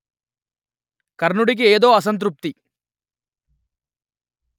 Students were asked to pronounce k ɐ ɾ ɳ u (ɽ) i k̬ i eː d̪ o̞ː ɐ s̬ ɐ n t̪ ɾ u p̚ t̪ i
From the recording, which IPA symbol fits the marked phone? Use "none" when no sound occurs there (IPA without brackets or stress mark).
ɽ